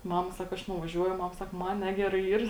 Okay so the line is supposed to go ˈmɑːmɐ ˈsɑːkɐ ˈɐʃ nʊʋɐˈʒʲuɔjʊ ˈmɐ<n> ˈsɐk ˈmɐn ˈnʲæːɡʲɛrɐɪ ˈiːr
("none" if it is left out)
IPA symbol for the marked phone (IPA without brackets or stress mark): m